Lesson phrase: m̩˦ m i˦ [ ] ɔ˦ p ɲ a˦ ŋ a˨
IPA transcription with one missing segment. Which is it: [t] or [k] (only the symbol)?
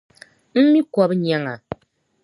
k